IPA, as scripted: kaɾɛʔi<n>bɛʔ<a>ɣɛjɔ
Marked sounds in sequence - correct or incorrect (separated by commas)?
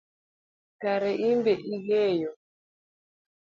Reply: incorrect, incorrect